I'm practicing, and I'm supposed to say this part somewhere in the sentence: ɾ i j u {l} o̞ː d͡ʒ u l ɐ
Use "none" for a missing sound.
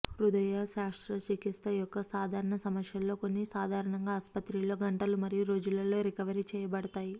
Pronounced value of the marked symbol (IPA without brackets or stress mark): ɾ